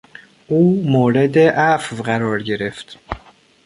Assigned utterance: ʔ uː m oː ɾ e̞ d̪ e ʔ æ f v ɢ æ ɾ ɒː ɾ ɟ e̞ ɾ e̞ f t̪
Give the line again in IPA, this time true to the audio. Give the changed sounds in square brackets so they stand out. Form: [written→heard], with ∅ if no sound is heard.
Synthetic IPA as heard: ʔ uː m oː ɾ e̞ d̪ e ʔ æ f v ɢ æ ɾ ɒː ɾ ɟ e̞ ɾ e̞ f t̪

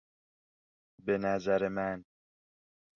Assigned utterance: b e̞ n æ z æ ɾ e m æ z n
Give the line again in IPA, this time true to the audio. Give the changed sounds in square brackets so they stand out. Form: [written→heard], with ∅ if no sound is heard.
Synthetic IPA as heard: b e̞ n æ z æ ɾ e m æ [z→∅] n

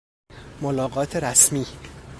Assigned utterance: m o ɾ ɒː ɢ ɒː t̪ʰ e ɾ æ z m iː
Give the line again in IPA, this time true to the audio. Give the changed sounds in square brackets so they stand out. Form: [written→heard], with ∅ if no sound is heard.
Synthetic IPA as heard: m o [ɾ→l] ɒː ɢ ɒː t̪ʰ e ɾ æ [z→s] m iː

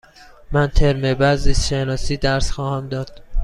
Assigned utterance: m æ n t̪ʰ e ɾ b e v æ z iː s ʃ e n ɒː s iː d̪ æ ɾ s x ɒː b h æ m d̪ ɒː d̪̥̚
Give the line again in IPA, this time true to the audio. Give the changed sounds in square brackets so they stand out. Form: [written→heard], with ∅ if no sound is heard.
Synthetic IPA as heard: m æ n t̪ʰ e ɾ [b→m] e [v→b] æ z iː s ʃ e n ɒː s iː d̪ æ ɾ s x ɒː [b→∅] h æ m d̪ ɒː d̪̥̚

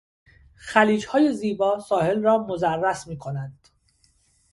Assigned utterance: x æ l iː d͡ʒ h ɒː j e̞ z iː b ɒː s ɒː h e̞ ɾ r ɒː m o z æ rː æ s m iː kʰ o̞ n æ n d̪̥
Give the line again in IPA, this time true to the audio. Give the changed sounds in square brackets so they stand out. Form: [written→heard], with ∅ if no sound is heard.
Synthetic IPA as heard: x æ l iː d͡ʒ h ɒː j e̞ z iː b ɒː s ɒː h e̞ [ɾ→l] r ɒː m o z æ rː æ s m iː kʰ o̞ n æ n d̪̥

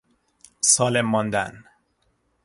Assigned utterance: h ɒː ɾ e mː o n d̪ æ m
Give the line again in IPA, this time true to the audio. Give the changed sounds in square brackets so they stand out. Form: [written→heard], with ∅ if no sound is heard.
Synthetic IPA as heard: [h→s] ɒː [ɾ→l] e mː [o→ɒ] n d̪ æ [m→n]

